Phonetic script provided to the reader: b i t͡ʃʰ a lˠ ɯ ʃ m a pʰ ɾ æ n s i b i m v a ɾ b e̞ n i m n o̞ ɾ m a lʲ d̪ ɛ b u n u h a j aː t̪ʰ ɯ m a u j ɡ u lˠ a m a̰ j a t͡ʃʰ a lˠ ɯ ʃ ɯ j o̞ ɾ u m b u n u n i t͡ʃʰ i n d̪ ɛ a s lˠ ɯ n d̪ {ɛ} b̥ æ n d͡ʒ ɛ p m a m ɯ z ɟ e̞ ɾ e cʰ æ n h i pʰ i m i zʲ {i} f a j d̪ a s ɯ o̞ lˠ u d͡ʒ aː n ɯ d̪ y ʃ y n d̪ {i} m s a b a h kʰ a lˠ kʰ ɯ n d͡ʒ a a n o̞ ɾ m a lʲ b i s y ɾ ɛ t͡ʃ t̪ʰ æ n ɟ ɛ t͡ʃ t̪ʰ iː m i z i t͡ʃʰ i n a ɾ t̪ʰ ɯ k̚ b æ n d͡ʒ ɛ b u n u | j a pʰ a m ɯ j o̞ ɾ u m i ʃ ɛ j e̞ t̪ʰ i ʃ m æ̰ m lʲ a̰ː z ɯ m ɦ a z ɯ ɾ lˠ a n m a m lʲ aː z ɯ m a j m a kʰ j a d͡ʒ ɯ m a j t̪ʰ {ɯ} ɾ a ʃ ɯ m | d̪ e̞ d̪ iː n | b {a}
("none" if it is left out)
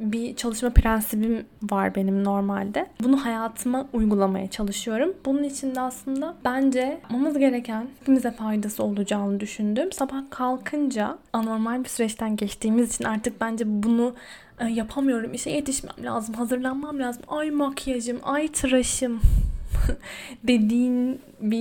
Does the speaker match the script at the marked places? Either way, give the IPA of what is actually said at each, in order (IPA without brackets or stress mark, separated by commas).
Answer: a, ɛ, y, ɯ, i